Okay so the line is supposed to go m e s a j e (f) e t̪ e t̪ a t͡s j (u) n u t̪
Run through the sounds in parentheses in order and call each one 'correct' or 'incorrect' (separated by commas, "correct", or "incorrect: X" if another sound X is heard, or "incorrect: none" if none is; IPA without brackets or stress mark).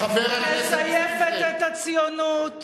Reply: correct, incorrect: o